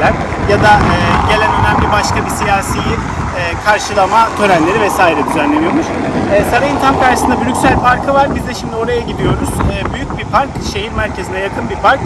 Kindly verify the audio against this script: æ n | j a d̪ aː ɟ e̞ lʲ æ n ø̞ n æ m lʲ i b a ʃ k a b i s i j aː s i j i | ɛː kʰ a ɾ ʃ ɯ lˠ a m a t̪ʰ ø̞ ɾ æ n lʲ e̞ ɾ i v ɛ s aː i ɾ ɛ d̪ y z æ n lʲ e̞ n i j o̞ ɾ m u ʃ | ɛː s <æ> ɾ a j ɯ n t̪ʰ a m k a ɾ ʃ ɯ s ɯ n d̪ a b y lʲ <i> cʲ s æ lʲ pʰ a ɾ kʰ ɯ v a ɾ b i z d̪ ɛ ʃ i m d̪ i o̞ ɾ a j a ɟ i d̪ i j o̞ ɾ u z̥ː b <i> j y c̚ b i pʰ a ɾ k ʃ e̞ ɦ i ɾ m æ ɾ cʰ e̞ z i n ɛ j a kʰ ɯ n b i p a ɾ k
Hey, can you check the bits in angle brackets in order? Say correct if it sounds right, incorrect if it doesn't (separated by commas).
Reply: incorrect, incorrect, incorrect